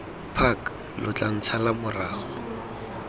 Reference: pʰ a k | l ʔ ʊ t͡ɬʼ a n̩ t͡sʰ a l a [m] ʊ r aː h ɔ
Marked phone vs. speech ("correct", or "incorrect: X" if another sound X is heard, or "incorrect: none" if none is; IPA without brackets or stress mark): correct